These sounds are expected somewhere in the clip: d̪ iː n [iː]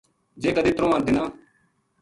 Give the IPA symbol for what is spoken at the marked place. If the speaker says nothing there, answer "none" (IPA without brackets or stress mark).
aː